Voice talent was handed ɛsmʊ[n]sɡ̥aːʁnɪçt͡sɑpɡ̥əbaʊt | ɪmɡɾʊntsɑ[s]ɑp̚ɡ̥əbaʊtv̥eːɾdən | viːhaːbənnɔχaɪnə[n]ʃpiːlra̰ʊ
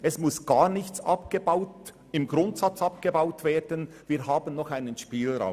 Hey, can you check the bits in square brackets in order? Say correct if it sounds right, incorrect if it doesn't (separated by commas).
incorrect, incorrect, correct